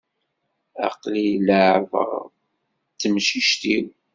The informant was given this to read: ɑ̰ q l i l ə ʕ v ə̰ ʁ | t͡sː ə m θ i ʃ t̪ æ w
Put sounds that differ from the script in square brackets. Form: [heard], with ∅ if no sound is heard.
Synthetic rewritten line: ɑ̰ q l i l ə ʕ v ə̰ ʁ | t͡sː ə m [ʃ] i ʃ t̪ [i] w